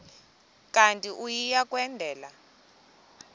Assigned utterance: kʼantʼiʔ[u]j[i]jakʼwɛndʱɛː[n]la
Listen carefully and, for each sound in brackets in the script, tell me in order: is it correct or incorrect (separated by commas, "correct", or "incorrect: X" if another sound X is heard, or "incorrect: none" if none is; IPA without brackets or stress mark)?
correct, correct, incorrect: none